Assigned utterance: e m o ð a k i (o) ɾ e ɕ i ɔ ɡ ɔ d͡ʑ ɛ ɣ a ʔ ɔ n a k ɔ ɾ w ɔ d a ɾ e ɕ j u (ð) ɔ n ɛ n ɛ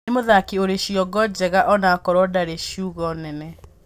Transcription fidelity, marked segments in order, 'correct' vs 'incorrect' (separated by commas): correct, incorrect